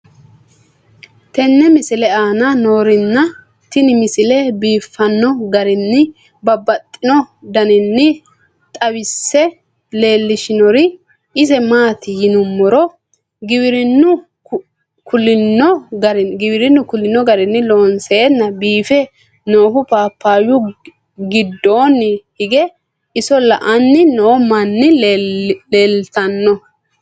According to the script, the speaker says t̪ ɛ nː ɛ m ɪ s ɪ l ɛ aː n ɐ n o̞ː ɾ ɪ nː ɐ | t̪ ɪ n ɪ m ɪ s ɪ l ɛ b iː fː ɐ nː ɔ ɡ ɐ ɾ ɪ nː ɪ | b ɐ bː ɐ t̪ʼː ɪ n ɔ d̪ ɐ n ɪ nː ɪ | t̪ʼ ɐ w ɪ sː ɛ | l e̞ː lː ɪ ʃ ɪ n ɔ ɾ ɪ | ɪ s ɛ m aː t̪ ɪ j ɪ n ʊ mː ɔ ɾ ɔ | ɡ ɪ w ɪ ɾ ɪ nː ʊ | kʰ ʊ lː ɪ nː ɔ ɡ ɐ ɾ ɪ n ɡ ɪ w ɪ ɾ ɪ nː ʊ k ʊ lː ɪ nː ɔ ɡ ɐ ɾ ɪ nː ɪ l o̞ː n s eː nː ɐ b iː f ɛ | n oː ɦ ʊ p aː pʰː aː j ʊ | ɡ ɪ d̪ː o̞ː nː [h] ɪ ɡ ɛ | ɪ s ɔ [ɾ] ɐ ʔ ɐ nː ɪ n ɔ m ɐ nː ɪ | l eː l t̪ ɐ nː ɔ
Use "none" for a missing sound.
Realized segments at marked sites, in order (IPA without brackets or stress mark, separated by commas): h, l